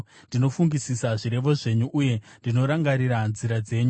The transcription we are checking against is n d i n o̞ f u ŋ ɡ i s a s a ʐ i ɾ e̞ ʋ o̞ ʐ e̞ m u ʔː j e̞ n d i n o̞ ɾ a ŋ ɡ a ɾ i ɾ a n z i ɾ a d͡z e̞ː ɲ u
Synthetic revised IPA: n d i n o̞ f u ŋ ɡ i s i s a ʐ i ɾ e̞ ʋ o̞ ʐ e̞ ɲ u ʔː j e̞ n d i n o̞ ɾ a ŋ ɡ a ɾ i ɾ a n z i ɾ a d͡z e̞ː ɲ u

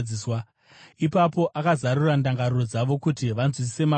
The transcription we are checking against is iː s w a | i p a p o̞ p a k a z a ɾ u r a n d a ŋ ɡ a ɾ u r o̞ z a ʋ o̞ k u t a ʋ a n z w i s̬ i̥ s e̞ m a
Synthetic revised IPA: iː s w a | i p a p o̞ ʔ a k a z a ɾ u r a n d a ŋ ɡ a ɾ u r o̞ d͡z a ʋ o̞ k u t i ʋ a n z w i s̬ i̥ s e̞ m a

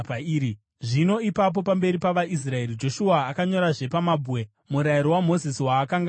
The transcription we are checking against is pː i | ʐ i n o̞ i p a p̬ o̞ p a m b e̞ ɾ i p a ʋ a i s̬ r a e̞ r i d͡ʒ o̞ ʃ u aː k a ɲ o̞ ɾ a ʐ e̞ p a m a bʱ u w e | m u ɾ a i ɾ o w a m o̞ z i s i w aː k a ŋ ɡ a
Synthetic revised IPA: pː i | ʐ i n o̞ i p a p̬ o̞ p a m b e̞ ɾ i p a ʋ a i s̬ r a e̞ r i d͡ʒ o̞ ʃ u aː k a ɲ o̞ ɾ a ʐ e̞ p a m a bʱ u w e | m u ɾ a i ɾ o w a m o̞ z i s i w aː k a ŋ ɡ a

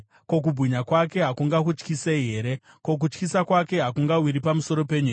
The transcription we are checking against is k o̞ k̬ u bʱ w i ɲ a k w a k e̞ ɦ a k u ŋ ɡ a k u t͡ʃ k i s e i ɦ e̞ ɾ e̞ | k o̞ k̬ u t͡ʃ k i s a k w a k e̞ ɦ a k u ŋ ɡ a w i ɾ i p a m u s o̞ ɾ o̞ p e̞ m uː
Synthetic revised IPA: k o̞ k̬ u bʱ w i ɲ a k w a k e̞ ɦ a k u ŋ ɡ a k u t͡ʃ k i s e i ɦ e̞ ɾ e̞ | k o̞ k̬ u t͡ʃ k i s a k w a k e̞ ɦ a k u ŋ ɡ a w i ɾ i p a m u s o̞ ɾ o̞ p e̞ ɲ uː

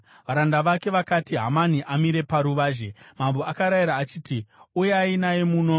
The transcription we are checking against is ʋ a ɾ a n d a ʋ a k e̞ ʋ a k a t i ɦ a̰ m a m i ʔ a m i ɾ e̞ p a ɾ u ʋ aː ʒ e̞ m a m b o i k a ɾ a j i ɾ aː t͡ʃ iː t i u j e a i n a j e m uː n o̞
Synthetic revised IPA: ʋ a ɾ a n d a ʋ a k e̞ ʋ a k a t i ɦ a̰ m a n i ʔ a m i ɾ e̞ p a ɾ u ʋ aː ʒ e̞ m a m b o a k a ɾ a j i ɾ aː t͡ʃ iː t i u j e a i n a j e m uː n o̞

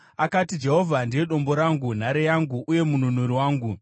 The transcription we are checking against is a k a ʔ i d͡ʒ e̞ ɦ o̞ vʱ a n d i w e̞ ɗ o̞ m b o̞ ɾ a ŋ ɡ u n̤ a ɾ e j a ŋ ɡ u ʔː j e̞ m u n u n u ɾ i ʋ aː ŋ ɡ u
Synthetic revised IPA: a k a t i d͡ʒ e̞ ɦ o̞ vʱ a n d i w e̞ ɗ o̞ m b o̞ ɾ a ŋ ɡ u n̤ a ɾ e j a ŋ ɡ u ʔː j e̞ m u n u n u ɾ i w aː ŋ ɡ u

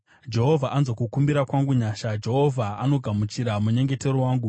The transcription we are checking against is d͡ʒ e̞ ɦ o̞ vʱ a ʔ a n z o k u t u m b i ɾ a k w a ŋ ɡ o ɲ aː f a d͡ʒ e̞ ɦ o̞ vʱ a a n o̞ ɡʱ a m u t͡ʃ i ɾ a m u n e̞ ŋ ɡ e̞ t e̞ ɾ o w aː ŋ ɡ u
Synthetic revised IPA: d͡ʒ e̞ ɦ o̞ vʱ a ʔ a n z o k u k u m b i ɾ a k w a ŋ ɡ u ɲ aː ʃ a d͡ʒ e̞ ɦ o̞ vʱ a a n o̞ ɡʱ a m u t͡ʃ i ɾ a m u ɲ e̞ ŋ ɡ e̞ t e̞ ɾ o w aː ŋ ɡ u

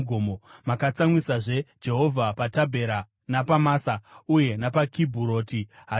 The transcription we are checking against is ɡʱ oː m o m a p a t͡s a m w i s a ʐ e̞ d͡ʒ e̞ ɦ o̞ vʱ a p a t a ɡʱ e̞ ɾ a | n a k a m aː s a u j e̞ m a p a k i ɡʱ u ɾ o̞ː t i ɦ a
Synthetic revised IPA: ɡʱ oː m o m a k a t͡s a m w i s a ʐ e̞ d͡ʒ e̞ ɦ o̞ vʱ a p a t a bʱ e̞ ɾ a | n a p a m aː s a u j e̞ n a p a k i bʱ u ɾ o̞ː t i ɦ a

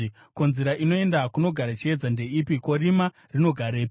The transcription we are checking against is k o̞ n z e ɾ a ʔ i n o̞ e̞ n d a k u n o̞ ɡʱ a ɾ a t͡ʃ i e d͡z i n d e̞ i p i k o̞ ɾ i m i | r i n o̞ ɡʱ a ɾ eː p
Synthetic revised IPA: k o̞ n z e ɾ a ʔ i n o̞ e̞ n d a k u n o̞ ɡʱ a ɾ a t͡ʃ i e d͡z a n d e̞ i p i k o̞ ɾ i m a | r i n o̞ ɡʱ a ɾ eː p

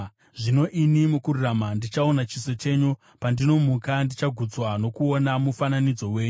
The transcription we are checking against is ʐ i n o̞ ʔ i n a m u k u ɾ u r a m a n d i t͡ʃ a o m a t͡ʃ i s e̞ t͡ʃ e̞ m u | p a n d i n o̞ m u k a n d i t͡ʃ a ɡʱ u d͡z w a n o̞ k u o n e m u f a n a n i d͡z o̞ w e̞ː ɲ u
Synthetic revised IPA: ʐ i n o̞ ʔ i n i m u k u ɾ u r a m a n d i t͡ʃ a o n a t͡ʃ i s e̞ t͡ʃ e̞ ɲ u | p a n d i n o̞ m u k a n d i t͡ʃ a ɡʱ u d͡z w a n o̞ k u o n a m u f a n a n i d͡z o̞ w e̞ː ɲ u

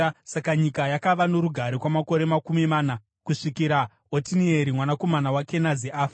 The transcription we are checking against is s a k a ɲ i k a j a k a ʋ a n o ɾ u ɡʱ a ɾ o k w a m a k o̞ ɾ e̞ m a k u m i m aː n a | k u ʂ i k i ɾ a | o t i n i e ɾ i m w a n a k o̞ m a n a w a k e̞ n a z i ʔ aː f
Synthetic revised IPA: s a k a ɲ i k a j a k a ʋ a n o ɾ u ɡʱ a ɾ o k w a m a k o̞ ɾ e̞ m a k u m i m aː n a | k u ʂ i k i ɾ a | o t i n i e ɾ i m w a n a k o̞ m a n a w a k e̞ n a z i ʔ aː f

